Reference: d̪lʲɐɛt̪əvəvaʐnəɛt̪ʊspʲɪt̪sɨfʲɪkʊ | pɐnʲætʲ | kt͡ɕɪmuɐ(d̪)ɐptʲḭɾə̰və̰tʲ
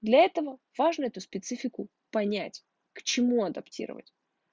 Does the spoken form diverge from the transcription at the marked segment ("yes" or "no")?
no